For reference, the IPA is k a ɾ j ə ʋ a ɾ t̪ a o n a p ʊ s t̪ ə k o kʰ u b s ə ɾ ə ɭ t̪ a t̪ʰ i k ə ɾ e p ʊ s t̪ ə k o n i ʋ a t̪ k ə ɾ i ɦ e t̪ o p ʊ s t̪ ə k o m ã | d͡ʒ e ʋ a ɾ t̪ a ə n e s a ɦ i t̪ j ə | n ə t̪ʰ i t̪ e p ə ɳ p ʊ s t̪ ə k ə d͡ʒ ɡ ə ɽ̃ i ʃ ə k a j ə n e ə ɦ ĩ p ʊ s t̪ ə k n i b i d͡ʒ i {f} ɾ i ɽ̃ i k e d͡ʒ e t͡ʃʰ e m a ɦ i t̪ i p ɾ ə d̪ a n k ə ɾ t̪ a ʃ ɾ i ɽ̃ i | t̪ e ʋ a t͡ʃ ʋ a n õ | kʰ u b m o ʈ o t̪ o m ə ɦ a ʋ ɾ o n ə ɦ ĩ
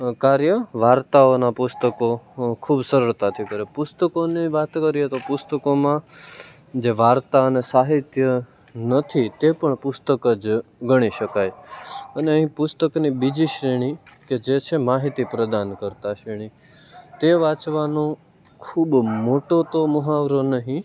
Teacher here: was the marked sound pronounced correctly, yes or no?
no